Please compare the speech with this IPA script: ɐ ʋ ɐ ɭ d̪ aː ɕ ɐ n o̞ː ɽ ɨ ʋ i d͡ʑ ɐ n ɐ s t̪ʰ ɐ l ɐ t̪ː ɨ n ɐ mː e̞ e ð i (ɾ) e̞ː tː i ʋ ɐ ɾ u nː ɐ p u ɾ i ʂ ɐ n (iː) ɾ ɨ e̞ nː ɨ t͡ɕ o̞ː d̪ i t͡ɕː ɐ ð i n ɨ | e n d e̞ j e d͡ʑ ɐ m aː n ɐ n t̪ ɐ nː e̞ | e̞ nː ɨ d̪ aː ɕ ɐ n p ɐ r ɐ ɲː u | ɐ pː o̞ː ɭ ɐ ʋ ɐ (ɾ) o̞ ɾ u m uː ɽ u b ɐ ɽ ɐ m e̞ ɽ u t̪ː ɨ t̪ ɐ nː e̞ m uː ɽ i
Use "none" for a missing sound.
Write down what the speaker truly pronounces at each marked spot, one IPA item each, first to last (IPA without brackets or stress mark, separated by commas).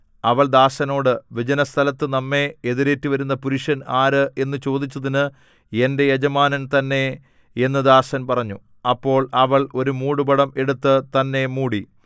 ɾ, aː, ɭ